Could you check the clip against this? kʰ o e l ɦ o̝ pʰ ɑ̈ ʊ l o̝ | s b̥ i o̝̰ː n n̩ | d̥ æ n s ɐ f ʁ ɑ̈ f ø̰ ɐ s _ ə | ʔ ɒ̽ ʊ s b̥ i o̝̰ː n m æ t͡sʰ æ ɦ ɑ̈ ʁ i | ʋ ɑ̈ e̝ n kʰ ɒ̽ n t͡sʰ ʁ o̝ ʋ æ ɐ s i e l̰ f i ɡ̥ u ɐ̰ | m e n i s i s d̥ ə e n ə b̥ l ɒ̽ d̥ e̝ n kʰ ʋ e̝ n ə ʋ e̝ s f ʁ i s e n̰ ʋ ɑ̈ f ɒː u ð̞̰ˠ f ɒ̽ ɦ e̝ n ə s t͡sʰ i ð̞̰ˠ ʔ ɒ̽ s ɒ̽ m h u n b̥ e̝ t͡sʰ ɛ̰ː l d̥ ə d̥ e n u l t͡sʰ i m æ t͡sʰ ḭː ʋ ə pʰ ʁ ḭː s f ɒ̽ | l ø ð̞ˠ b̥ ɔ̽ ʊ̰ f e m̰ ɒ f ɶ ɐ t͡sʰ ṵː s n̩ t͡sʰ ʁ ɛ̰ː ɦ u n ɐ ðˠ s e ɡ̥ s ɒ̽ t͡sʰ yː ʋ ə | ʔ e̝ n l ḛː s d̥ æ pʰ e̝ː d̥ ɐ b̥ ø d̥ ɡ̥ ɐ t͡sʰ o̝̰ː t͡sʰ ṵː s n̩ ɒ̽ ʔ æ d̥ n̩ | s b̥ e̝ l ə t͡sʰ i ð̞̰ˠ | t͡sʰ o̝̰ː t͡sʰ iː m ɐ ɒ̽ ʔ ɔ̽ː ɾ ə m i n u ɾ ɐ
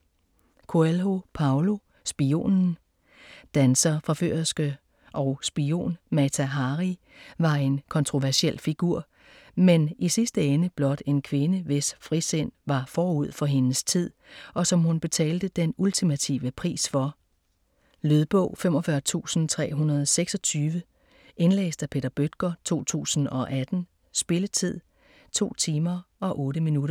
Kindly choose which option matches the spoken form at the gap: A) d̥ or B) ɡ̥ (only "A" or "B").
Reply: B